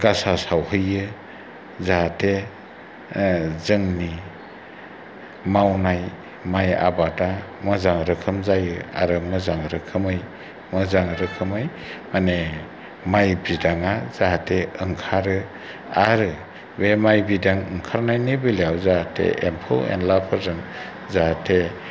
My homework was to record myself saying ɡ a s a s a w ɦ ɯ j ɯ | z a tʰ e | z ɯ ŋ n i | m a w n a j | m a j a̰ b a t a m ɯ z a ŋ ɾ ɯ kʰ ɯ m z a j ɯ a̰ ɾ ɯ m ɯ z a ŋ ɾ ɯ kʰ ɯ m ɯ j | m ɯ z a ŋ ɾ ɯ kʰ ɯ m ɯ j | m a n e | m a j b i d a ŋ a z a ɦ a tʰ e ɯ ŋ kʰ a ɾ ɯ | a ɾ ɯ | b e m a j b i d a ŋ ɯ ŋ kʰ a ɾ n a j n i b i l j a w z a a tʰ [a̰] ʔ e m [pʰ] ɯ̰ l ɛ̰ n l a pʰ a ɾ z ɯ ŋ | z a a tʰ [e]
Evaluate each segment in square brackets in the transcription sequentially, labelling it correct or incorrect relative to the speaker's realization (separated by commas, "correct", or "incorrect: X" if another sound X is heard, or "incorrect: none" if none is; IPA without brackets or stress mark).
incorrect: ḛ, correct, correct